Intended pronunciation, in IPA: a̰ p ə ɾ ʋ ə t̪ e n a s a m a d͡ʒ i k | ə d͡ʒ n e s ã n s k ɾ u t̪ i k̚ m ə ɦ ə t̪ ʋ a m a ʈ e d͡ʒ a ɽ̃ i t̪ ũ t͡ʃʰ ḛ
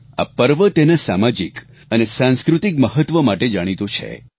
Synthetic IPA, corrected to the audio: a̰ p ə ɾ ʋ ə t̪ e n a s a m a d͡ʒ i k | ə n e s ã n s k ɾ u t̪ i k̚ m ə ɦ ə t̪ ʋ ə m a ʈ e d͡ʒ a ɽ̃ i t̪ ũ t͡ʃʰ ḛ